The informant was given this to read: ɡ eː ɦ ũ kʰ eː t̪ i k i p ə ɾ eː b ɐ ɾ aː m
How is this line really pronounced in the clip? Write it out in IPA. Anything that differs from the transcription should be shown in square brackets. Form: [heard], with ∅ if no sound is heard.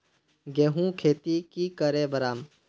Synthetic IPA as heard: ɡ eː ɦ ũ kʰ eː t̪ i k i [k] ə ɾ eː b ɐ ɾ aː m